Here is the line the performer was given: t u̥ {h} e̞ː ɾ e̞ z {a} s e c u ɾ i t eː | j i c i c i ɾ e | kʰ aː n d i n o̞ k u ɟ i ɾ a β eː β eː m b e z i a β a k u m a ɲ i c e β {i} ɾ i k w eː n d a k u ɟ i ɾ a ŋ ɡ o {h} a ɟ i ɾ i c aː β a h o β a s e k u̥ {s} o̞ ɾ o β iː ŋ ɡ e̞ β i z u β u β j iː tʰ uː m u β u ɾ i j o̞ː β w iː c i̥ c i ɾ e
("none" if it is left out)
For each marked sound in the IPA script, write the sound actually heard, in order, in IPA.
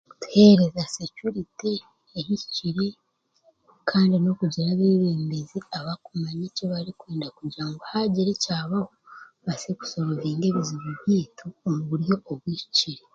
h, a, a, h, s

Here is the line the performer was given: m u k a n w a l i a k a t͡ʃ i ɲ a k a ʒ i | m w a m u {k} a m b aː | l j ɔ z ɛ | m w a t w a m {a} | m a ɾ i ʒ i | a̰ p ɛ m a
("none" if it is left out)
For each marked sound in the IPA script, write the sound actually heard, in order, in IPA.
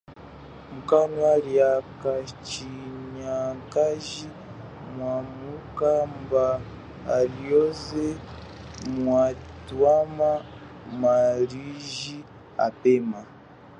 k, a

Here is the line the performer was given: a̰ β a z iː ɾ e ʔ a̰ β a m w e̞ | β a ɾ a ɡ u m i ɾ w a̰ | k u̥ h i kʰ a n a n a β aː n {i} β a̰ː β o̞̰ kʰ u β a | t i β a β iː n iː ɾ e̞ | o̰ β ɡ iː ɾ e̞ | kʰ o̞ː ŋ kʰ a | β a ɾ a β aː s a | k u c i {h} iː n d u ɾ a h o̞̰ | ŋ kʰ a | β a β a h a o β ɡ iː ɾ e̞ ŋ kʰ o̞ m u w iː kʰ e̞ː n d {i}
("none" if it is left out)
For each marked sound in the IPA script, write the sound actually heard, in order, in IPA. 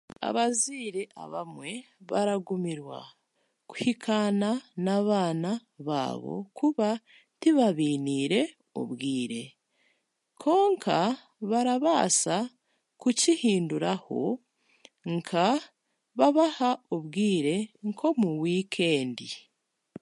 a, h, i

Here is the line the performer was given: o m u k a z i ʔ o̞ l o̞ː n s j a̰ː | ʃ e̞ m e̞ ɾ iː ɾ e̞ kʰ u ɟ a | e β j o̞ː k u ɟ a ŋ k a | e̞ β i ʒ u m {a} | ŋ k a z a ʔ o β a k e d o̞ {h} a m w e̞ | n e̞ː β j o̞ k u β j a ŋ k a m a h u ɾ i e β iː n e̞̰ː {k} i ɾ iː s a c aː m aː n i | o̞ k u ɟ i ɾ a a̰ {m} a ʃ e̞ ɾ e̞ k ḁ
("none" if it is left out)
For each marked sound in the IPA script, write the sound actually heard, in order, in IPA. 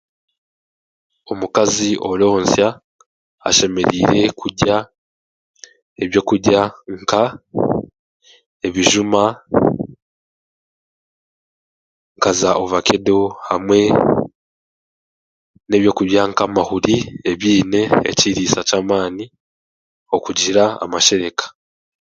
a, h, c, m

